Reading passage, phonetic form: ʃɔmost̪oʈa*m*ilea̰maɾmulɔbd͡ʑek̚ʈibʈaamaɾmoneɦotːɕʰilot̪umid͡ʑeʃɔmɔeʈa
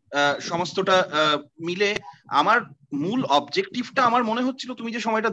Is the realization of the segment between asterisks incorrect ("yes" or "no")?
no